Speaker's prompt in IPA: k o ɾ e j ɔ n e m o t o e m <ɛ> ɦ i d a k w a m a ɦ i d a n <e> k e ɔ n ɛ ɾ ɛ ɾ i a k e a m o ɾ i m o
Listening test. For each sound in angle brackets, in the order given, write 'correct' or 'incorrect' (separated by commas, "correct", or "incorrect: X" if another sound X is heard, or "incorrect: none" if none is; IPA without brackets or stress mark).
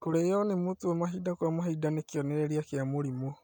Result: incorrect: a, correct